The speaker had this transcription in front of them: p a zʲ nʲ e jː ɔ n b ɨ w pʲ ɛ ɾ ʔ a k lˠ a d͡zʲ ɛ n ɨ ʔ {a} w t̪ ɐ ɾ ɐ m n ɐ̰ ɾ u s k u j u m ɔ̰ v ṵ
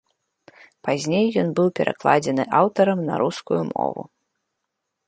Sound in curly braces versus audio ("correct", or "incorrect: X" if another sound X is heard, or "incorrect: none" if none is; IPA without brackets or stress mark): correct